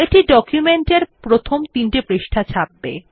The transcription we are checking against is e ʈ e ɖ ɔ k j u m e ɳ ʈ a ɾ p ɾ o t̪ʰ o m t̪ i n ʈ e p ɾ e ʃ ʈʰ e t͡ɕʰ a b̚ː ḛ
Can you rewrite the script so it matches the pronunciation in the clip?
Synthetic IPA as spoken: e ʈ i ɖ ɔ k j u m e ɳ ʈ e ɾ p ɾ o t̪ʰ o m t̪ i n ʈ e p ɾ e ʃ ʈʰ a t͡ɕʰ a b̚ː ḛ